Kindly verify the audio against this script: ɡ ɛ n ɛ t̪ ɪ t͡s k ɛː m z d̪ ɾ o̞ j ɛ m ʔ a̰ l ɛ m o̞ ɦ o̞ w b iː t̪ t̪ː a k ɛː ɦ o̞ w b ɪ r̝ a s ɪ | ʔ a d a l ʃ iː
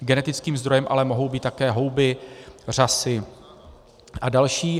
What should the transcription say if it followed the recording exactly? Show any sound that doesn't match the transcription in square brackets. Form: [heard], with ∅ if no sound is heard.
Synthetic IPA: ɡ ɛ n ɛ t̪ ɪ t͡s k [iː] m z d̪ ɾ o̞ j ɛ m ʔ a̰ l ɛ m o̞ ɦ o̞ w b iː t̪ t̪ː a k ɛː ɦ o̞ w b ɪ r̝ a s ɪ | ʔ a d a l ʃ iː

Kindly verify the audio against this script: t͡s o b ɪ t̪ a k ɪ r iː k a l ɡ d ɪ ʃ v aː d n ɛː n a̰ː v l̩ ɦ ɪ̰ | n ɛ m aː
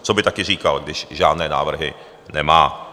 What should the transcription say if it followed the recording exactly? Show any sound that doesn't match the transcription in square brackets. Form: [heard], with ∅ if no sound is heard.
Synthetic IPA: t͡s o b ɪ t̪ a k ɪ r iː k a l ɡ d ɪ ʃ [ʒ] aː d n ɛː n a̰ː v [r̩] ɦ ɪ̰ | n ɛ m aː

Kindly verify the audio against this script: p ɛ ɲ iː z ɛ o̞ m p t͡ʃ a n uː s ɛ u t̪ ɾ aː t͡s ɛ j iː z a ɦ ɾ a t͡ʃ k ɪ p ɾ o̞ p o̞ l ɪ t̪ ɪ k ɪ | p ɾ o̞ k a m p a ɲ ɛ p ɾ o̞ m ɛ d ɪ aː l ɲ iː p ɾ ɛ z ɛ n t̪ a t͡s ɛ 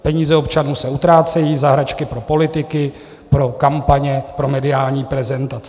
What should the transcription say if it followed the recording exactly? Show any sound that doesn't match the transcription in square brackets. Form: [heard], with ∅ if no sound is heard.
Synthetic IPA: p ɛ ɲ iː z ɛ o̞ [∅] p t͡ʃ a n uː s ɛ u t̪ ɾ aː t͡s ɛ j iː z a ɦ ɾ a t͡ʃ k ɪ p ɾ o̞ p o̞ l ɪ t̪ ɪ k ɪ | p ɾ o̞ k a m p a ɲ ɛ p ɾ o̞ m ɛ d ɪ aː l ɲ iː p ɾ ɛ z ɛ n t̪ a t͡s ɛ

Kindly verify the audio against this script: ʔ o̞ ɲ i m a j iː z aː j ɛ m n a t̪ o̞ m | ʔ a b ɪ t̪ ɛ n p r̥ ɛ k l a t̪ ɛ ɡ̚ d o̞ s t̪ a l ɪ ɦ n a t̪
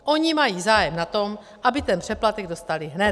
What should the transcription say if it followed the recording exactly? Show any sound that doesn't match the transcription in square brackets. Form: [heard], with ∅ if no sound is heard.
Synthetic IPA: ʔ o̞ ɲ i m a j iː z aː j ɛ m n a t̪ o̞ m | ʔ a b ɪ t̪ ɛ n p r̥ ɛ [p] l a t̪ ɛ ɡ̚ d o̞ s t̪ a l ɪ ɦ n [ɛ] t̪

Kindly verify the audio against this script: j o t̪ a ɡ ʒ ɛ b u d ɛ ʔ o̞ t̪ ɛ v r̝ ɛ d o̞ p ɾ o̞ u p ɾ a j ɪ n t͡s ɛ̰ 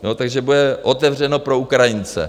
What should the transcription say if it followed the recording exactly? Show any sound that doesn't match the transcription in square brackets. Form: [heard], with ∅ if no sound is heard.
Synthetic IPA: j o t̪ a ɡ ʒ ɛ b u d ɛ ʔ o̞ t̪ ɛ v r̝ ɛ [n] o̞ p ɾ o̞ u [k] ɾ a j ɪ n t͡s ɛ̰

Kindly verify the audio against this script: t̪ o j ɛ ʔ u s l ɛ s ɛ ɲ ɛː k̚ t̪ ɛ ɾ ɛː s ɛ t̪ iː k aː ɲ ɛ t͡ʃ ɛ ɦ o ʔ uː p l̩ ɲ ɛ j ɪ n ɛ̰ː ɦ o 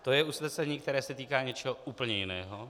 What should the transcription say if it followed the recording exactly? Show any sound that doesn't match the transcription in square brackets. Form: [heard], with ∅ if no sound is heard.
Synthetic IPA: t̪ o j ɛ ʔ u s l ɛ s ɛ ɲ [iː] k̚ t̪ ɛ ɾ ɛː s ɛ t̪ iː k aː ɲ ɛ t͡ʃ ɛ ɦ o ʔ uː p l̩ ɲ ɛ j ɪ n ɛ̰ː ɦ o

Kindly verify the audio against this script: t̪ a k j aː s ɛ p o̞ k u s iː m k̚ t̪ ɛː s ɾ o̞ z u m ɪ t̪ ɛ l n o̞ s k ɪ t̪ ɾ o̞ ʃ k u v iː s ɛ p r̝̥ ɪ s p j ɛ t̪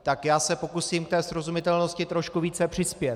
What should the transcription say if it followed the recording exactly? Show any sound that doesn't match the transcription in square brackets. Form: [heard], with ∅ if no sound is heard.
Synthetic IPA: t̪ a k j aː s ɛ p o̞ k u s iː m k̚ t̪ ɛː s ɾ o̞ z u m ɪ t̪ ɛ l n o̞ s [c] ɪ t̪ ɾ o̞ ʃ k u v iː [t͡s] ɛ p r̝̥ ɪ s p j ɛ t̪

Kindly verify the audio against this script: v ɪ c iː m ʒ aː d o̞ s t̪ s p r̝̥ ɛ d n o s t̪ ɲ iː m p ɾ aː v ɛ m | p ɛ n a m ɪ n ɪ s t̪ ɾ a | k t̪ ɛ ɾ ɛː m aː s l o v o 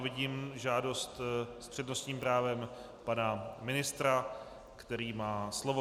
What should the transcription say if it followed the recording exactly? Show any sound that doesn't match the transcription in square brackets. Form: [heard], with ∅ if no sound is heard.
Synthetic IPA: v ɪ [ɟ] iː m ʒ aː d o̞ s t̪ s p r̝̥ ɛ d n o s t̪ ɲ iː m p ɾ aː v ɛ m | p [a] n a m ɪ n ɪ s t̪ ɾ a | k t̪ ɛ ɾ [iː] m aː s l o v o

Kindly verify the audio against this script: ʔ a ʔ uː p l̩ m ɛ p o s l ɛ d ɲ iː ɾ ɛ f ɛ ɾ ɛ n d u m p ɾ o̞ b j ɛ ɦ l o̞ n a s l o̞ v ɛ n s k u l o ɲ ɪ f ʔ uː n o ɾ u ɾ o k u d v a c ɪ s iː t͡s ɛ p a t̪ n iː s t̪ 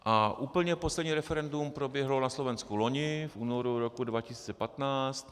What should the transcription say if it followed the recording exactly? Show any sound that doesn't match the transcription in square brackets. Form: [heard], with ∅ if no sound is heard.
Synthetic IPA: ʔ a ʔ uː p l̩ [ɲ] ɛ p o s l ɛ d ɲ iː ɾ ɛ f ɛ ɾ ɛ n d u m p ɾ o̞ b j ɛ ɦ l o̞ n a s l o̞ v ɛ n s k u l o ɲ ɪ f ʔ uː n o ɾ u ɾ o k u d v a c ɪ s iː t͡s ɛ p a t̪ n [aː] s t̪

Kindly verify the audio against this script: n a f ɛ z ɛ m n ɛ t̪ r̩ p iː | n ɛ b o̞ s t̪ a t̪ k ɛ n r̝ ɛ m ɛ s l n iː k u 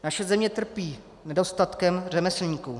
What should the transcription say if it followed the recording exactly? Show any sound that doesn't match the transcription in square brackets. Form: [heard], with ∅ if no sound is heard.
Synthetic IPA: n a [ʃ] ɛ z ɛ m [ɲ] ɛ t̪ r̩ p iː | n ɛ [d] o̞ s t̪ a t̪ k ɛ [m] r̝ ɛ m ɛ s l [ɲ] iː k u

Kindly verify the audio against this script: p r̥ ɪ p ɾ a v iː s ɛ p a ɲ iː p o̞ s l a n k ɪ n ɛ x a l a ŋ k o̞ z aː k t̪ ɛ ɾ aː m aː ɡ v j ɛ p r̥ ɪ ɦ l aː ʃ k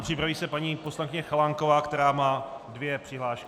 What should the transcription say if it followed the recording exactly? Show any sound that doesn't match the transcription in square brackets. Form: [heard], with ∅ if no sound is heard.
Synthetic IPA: p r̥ ɪ p ɾ a v iː s ɛ p a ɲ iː p o̞ s l a n k ɪ [ɲ] ɛ x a l a ŋ k o̞ [v] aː k t̪ ɛ ɾ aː m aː [d] v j ɛ p r̥ ɪ ɦ l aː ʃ k

